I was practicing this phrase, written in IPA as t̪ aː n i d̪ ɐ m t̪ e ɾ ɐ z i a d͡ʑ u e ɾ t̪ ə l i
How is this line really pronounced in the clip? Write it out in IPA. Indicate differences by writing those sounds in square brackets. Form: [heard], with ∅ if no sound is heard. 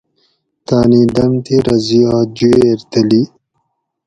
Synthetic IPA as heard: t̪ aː n i d̪ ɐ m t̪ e ɾ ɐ z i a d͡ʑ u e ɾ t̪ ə l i